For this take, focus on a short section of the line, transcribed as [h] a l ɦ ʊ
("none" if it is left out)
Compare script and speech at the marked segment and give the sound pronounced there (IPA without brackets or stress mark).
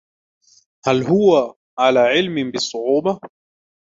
h